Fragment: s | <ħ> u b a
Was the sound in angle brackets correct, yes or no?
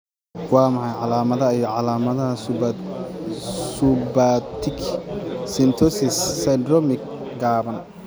no